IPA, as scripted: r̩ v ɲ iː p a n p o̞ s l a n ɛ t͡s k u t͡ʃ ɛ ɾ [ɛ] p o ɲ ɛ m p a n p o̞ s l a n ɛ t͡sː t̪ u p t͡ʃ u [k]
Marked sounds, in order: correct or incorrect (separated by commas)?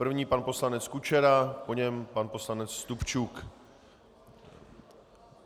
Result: incorrect, correct